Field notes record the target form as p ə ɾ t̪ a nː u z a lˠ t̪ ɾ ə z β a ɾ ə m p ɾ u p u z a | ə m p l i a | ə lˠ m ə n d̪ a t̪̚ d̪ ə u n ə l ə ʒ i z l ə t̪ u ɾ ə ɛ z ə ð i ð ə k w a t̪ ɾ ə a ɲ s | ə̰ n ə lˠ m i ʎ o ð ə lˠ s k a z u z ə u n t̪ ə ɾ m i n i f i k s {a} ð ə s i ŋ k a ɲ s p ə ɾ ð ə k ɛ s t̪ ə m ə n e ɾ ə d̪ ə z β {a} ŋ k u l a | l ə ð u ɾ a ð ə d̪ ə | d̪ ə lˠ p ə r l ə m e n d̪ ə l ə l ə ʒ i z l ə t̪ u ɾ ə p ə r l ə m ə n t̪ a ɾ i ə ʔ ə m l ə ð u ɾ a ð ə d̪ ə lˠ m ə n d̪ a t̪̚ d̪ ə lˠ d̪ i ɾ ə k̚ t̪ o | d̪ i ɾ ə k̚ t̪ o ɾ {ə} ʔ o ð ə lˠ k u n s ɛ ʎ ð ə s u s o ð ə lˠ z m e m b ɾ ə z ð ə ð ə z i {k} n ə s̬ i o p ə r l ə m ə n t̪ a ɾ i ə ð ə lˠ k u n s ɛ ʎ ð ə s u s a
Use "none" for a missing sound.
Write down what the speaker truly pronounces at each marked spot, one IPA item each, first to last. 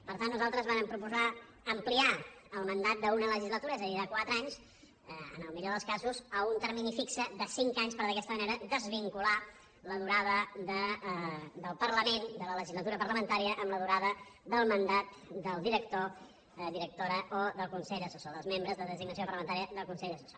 ə, i, ə, ɡ

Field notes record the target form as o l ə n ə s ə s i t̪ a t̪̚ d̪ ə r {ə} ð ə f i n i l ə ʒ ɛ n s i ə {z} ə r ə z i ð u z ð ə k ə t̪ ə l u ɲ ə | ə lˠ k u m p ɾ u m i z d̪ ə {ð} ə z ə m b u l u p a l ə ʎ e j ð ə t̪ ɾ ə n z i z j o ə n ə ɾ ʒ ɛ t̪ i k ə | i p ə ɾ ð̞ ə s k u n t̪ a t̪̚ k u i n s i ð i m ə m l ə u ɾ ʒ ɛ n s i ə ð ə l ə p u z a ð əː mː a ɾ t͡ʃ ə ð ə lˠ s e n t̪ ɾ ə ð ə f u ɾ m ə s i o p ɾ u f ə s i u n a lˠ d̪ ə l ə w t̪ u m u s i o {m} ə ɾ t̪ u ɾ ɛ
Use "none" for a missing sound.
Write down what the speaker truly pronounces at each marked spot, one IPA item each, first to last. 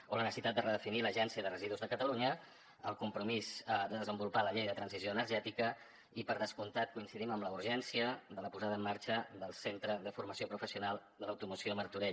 ə, ð, ð, m

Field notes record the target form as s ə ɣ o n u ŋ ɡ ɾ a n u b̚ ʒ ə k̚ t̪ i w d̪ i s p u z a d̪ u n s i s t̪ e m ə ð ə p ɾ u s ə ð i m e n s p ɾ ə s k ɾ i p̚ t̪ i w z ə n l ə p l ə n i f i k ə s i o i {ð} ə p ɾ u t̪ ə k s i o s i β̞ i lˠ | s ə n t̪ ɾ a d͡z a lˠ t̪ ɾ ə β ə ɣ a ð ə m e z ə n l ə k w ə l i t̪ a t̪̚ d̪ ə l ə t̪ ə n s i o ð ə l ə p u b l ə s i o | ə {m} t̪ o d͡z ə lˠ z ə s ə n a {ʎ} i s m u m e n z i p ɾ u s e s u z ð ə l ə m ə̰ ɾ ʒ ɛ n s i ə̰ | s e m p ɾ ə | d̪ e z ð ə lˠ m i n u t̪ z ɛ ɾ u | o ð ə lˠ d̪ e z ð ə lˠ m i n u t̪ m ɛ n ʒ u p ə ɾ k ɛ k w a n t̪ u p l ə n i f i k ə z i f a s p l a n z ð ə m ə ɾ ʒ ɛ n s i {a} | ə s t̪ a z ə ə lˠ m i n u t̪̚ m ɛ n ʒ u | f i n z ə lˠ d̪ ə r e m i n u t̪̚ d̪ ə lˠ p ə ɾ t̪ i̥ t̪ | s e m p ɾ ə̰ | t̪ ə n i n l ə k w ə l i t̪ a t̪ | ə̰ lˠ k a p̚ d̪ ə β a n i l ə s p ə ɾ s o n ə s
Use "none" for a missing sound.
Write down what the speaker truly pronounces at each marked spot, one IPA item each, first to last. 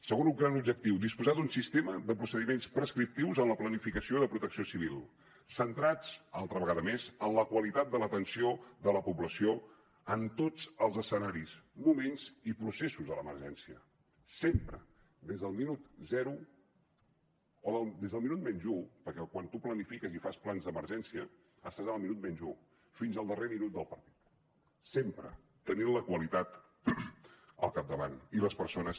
ð, n, ɾ, ə

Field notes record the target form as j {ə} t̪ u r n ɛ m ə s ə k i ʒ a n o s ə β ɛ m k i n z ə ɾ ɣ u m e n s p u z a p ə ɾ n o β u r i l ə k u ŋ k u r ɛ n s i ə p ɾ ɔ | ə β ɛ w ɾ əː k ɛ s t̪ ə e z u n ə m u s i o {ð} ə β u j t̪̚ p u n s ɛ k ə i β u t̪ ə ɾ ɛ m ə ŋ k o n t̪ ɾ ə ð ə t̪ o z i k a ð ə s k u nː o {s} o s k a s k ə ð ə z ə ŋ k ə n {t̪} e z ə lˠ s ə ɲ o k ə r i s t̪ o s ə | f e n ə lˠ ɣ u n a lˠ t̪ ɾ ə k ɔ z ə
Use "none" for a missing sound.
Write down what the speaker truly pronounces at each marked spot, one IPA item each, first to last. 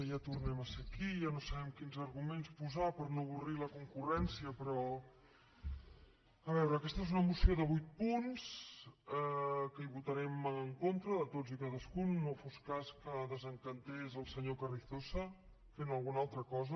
a, ð, f, t̪

